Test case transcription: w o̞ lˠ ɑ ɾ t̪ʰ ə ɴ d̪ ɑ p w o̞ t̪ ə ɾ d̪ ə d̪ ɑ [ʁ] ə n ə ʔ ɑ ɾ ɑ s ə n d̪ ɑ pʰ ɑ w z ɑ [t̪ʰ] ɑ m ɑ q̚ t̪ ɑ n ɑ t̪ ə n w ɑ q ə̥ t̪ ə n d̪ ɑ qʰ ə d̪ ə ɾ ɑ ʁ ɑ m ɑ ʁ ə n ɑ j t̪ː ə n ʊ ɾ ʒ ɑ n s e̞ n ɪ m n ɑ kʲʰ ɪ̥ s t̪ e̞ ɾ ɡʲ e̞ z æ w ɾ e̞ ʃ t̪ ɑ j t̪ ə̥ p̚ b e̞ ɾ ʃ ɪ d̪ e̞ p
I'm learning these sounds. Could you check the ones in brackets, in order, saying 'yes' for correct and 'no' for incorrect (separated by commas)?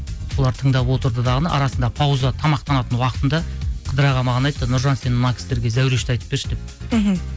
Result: yes, yes